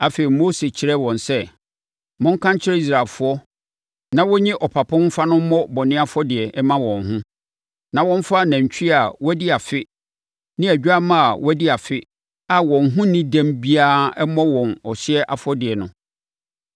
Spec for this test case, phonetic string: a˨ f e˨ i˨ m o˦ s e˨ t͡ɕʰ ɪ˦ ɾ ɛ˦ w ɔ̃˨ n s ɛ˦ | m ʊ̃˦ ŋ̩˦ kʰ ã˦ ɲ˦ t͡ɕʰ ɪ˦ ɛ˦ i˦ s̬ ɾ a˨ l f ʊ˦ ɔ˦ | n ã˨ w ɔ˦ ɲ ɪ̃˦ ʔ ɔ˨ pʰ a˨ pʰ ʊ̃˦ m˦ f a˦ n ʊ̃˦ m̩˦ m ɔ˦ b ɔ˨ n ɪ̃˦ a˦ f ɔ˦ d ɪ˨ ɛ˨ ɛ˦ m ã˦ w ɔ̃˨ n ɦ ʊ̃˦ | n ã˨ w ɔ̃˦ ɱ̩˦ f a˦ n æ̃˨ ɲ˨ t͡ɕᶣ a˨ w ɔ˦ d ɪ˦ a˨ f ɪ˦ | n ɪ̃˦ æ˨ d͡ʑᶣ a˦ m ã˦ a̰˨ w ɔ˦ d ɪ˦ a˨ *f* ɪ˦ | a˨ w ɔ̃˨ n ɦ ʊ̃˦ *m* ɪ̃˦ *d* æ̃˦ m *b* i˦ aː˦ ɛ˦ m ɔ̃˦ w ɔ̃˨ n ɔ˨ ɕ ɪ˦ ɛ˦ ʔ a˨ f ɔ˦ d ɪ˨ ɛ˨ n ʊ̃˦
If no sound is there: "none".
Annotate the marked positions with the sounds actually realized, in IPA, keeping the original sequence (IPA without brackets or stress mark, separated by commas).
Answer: f, n, d, b